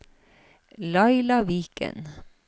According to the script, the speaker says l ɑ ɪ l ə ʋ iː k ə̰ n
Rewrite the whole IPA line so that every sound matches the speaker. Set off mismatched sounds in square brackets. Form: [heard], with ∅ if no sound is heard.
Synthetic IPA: l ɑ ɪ l [ɑ] ʋ iː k ə̰ n